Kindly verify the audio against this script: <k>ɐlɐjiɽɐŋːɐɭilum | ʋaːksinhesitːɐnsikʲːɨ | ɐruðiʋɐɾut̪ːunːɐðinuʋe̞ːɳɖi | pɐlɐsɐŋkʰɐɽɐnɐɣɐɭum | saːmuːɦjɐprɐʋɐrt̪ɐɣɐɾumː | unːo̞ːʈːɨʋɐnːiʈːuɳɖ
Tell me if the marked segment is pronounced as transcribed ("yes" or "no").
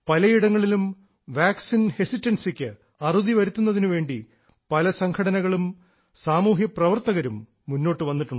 no